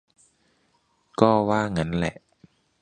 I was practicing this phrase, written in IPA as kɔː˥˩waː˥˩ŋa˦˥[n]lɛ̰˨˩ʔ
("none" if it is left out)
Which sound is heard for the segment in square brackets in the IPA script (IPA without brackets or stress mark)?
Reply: n